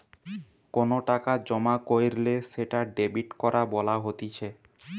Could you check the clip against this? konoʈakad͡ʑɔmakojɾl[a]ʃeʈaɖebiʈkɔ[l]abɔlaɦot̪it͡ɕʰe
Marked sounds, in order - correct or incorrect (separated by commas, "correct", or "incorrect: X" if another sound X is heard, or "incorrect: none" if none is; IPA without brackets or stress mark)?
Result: incorrect: e, incorrect: ɾ